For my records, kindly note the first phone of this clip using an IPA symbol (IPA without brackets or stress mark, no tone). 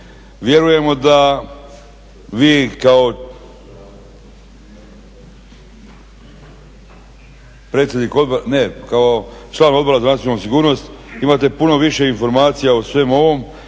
ʋ